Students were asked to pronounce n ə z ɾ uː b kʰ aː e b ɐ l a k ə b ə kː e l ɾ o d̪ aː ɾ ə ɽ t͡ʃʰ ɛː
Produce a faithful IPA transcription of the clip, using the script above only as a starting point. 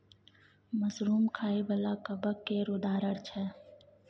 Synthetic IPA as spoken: m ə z ɾ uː m kʰ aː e b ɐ l a k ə b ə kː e ɾ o d̪ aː ɾ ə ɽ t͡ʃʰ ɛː